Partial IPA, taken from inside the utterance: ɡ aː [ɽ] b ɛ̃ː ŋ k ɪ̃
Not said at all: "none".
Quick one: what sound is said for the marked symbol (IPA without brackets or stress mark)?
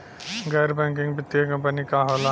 ɾ